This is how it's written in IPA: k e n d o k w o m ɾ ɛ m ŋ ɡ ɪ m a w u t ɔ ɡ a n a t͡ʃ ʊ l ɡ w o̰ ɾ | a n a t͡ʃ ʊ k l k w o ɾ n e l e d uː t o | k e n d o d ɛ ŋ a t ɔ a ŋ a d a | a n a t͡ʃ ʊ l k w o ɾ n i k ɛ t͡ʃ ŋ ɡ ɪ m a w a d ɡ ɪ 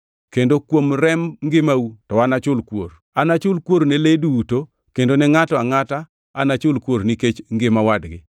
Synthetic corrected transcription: k e n d o k w o m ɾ ɛ m ŋ ɡ ɪ m a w u t ɔ a n a t͡ʃ ʊ l k w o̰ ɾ | a n a t͡ʃ ʊ l k w o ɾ n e l e d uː t o | k e n d o n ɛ ŋ a t ɔ a ŋ a t a | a n a t͡ʃ ʊ l k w o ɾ n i k e t͡ʃ ŋ ɡ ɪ m a w a d ɡ ɪ